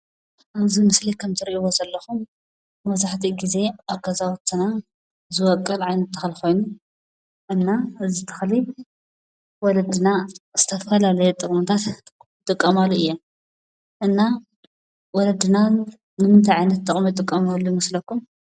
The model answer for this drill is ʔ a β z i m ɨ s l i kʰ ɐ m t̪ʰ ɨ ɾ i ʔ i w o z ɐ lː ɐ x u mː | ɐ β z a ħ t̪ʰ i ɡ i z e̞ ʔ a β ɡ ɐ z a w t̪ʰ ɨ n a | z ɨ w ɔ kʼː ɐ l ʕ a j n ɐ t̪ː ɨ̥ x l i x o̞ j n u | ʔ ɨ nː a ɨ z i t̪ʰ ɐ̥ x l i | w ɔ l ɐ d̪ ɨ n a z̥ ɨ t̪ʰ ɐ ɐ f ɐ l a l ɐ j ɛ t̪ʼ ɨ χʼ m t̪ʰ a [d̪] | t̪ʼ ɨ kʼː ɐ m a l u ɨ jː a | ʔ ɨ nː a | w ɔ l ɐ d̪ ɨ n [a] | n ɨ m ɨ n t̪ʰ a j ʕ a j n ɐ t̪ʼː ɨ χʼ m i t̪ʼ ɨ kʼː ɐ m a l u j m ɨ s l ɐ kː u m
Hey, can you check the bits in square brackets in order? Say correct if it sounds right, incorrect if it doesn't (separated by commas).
incorrect, correct